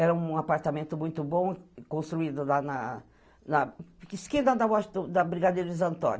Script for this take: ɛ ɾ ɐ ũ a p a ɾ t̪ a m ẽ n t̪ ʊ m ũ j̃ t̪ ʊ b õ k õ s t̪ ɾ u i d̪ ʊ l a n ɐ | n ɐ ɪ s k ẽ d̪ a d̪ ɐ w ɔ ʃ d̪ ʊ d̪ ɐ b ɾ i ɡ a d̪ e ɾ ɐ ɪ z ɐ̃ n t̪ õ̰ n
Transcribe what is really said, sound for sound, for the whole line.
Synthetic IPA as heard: ɛ ɾ ɐ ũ a p a ɾ t̪ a m ẽ n t̪ ʊ m ũ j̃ t̪ ʊ b õ k õ s t̪ ɾ u i d̪ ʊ l a n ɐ | n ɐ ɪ s k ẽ d̪ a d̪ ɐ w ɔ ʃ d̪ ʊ d̪ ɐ b ɾ i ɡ a d̪ e ɾ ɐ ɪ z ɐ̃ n t̪ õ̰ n